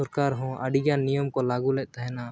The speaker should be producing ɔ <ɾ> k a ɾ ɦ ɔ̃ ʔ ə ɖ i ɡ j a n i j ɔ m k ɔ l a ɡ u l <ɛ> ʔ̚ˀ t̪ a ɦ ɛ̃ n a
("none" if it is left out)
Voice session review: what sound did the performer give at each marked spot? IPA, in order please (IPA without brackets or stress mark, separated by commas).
ɾ, ɛ